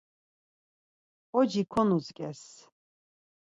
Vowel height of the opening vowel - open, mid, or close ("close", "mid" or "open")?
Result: mid